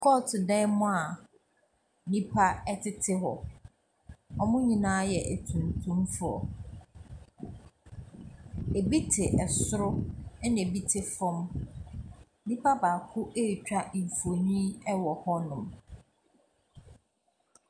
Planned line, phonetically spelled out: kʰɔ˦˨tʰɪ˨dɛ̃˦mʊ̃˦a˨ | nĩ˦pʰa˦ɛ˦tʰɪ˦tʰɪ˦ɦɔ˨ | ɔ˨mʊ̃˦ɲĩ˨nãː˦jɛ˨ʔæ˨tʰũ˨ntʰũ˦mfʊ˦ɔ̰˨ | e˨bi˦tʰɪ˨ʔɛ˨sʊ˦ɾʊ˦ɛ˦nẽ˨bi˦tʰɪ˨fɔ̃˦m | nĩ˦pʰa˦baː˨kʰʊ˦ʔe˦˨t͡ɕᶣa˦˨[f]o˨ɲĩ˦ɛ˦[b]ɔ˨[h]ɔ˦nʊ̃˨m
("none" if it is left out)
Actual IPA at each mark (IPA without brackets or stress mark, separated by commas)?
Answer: f, w, h